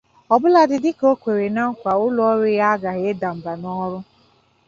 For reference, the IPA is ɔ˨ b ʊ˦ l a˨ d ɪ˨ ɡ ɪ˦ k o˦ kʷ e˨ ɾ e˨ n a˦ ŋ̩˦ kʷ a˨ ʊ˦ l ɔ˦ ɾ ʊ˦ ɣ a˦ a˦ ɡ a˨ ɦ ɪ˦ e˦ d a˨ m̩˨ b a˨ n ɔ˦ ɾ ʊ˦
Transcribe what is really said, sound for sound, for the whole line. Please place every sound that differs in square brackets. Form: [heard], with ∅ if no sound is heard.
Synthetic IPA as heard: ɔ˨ b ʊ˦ l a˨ d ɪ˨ [d] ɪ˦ k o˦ kʷ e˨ ɾ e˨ n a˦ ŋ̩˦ kʷ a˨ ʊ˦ l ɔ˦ ɾ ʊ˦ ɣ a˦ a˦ ɡ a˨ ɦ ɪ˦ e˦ d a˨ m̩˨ b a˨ n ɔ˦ ɾ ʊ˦